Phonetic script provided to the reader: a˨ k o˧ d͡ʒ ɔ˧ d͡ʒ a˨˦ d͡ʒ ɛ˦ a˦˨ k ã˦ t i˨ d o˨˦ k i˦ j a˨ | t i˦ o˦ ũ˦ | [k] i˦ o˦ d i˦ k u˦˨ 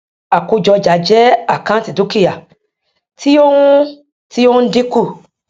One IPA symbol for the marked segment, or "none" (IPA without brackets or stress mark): t